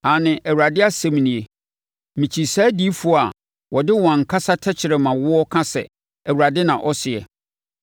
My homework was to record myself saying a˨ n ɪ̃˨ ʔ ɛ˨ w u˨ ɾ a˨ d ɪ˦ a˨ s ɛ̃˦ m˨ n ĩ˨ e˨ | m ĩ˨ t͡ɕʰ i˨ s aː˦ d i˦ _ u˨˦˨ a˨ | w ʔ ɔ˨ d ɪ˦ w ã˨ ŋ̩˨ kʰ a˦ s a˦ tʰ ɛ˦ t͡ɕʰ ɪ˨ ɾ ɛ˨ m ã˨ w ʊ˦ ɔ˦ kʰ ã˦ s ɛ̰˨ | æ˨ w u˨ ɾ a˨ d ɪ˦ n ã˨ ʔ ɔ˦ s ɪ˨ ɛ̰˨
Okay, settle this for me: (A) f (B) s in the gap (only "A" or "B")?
A